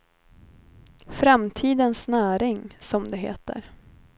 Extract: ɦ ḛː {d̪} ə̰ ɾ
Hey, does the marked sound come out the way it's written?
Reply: no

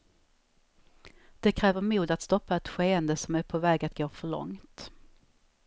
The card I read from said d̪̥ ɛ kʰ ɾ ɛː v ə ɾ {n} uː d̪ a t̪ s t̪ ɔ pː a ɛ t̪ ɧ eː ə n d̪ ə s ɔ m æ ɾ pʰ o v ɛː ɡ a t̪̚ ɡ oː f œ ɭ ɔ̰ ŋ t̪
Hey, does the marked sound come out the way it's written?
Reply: no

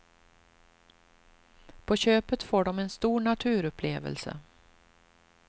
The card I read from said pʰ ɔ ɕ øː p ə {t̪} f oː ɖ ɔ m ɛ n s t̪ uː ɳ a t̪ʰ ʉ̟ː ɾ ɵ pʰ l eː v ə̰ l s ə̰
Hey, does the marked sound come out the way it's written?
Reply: yes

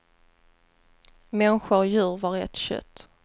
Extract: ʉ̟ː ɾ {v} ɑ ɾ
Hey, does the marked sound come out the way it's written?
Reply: yes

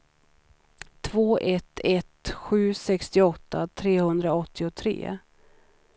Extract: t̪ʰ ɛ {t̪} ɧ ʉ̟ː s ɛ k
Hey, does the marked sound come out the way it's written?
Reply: yes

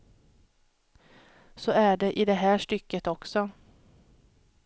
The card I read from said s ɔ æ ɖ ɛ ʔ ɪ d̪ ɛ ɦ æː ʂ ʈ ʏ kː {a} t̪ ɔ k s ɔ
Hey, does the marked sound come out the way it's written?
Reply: no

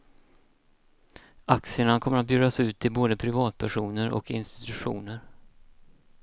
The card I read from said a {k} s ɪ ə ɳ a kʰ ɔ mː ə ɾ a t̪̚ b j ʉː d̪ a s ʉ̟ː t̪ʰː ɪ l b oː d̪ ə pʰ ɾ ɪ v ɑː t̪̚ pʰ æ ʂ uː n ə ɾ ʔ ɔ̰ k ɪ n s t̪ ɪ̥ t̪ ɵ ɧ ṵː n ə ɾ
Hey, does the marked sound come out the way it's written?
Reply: yes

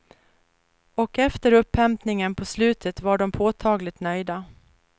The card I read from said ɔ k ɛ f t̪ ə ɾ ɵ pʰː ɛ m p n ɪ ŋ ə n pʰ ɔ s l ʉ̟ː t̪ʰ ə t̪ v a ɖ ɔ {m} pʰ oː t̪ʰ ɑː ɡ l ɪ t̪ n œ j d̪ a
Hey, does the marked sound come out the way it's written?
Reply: yes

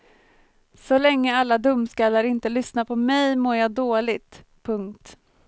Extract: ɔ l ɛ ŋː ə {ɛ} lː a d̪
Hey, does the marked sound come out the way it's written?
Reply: no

